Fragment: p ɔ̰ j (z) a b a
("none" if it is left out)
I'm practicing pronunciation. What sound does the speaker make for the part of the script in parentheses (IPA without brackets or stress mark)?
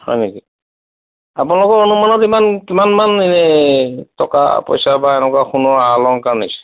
s